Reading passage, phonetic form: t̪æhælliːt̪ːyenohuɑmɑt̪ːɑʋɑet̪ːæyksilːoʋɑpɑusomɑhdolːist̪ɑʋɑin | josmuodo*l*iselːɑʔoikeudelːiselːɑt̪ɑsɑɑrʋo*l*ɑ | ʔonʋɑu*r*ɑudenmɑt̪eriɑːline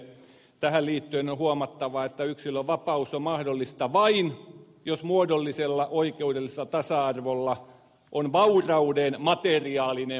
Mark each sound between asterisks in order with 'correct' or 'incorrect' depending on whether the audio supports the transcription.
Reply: incorrect: lː, incorrect: lː, correct

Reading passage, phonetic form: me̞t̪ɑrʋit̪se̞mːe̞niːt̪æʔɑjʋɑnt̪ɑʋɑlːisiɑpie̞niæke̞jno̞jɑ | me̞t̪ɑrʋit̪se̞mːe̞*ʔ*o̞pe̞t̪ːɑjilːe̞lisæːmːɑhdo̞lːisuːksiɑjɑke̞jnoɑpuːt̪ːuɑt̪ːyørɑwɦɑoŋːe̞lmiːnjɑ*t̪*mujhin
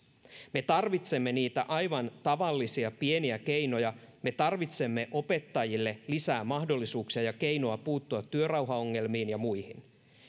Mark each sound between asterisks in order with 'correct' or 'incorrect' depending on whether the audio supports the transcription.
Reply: correct, incorrect: none

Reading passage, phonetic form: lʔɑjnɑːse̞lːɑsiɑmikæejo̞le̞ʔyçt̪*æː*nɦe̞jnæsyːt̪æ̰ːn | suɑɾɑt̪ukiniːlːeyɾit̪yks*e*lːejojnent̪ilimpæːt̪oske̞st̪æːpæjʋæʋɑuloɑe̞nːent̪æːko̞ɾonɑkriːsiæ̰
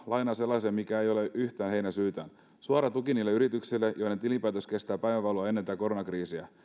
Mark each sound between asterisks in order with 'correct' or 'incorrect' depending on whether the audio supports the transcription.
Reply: correct, incorrect: i

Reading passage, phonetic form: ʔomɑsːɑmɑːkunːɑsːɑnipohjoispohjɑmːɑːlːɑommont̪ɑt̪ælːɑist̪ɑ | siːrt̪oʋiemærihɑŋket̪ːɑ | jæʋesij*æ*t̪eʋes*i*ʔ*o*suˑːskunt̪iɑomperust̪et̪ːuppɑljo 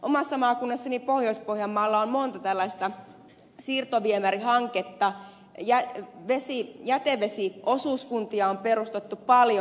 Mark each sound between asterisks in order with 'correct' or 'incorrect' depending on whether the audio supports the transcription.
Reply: correct, correct, correct

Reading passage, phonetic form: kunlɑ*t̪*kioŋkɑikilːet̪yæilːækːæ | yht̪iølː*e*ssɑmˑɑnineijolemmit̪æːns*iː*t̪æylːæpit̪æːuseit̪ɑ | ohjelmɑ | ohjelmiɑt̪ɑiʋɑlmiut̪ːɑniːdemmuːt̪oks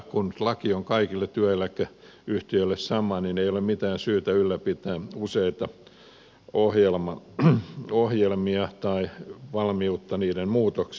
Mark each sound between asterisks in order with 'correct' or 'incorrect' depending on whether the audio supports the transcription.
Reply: incorrect: none, correct, incorrect: yː

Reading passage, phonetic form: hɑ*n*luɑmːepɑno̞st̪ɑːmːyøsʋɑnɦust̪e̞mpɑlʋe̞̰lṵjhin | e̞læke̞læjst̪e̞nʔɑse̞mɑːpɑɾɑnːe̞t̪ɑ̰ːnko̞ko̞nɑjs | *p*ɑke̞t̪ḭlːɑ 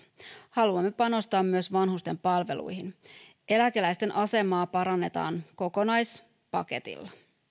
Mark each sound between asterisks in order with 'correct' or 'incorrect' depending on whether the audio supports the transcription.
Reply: incorrect: none, correct

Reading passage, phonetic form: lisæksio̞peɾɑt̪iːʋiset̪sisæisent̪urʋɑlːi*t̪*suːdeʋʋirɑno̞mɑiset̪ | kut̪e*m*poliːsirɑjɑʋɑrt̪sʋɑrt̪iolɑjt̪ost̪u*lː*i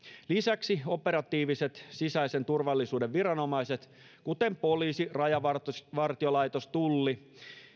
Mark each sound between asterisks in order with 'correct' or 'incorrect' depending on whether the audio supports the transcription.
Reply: incorrect: none, correct, correct

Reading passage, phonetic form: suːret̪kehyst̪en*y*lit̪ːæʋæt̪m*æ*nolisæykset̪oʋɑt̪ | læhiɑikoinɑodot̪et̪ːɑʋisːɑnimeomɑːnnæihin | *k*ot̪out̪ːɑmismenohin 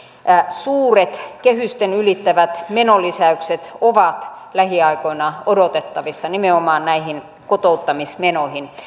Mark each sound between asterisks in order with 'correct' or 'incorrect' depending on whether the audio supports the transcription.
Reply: correct, incorrect: e, correct

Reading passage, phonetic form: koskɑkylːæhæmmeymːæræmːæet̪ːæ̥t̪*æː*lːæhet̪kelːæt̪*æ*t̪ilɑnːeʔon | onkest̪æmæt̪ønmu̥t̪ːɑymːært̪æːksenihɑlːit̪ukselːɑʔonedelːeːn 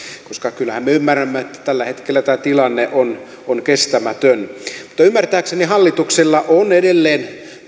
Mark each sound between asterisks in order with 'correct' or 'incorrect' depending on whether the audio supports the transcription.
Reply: incorrect: æ, incorrect: æː

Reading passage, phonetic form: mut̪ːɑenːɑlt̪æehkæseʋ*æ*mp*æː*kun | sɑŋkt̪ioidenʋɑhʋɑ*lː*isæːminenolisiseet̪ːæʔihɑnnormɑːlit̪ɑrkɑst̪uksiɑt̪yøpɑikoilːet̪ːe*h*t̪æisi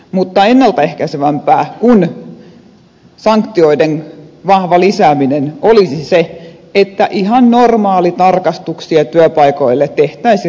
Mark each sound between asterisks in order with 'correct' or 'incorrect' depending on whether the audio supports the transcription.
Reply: correct, correct, incorrect: l, correct

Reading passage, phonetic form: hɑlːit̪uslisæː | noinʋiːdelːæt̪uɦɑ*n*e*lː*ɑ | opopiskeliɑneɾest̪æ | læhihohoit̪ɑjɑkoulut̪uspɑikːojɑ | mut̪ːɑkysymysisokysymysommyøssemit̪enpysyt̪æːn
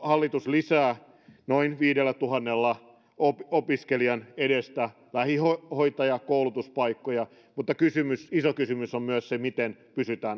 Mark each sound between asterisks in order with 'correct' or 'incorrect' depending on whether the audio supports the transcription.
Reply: incorrect: nː, correct

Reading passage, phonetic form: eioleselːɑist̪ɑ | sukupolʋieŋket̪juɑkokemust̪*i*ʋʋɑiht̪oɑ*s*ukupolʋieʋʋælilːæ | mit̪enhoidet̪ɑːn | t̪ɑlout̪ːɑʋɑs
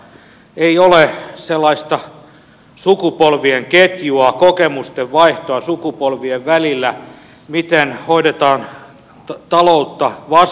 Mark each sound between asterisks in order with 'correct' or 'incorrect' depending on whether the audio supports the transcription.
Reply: incorrect: e, correct

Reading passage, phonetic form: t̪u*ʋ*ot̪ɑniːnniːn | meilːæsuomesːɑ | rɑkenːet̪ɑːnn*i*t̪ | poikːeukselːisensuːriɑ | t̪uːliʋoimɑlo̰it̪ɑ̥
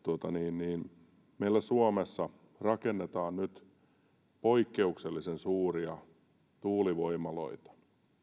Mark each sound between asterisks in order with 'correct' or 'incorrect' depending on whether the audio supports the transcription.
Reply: incorrect: none, incorrect: y

